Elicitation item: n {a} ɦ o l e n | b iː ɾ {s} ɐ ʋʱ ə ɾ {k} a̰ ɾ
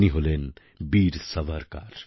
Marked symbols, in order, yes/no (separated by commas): no, yes, yes